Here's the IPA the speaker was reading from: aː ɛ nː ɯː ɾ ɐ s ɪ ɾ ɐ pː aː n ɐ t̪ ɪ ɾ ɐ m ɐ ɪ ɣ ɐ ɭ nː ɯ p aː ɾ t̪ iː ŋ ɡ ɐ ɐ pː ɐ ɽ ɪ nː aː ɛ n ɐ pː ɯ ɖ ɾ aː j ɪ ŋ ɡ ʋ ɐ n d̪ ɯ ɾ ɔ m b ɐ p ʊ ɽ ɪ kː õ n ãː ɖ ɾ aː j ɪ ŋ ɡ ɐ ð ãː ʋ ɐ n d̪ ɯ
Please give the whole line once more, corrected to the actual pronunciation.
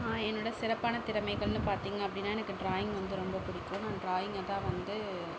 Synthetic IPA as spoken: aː ɛ nː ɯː ɽ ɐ s ɪ ɾ ɐ pː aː n ɐ t̪ ɪ ɾ ɐ m ɐ ɪ ɣ ɐ ɭ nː ɯ p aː ɾ t̪ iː ŋ ɡ ɐ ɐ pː ɐ ɽ ɪ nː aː ɛ n ɐ kː ɯ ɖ ɾ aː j ɪ ŋ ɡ ʋ ɐ n d̪ ɯ ɾ ɔ m b ɐ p ʊ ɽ ɪ kː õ n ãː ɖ ɾ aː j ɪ ŋ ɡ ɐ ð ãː ʋ ɐ n d̪ ɯ